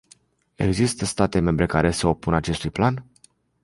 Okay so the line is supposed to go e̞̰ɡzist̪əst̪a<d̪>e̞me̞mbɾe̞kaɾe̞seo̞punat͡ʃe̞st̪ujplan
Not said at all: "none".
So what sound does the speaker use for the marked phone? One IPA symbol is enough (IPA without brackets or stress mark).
t̪